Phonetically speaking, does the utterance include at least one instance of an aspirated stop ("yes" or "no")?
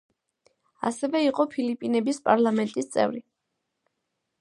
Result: yes